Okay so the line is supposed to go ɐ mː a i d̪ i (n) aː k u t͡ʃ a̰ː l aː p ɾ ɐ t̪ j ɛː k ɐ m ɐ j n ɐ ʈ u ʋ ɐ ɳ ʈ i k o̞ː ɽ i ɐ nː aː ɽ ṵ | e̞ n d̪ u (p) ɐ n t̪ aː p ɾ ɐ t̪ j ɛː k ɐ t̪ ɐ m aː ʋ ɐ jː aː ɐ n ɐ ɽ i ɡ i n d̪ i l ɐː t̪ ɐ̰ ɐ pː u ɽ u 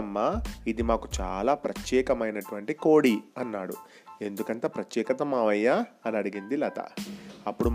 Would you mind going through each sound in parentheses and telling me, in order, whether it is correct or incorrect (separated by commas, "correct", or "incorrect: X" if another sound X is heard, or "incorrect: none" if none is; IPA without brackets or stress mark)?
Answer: incorrect: m, incorrect: k